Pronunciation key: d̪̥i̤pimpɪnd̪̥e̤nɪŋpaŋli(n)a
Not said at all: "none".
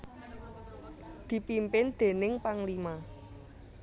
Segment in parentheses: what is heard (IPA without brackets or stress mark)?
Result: m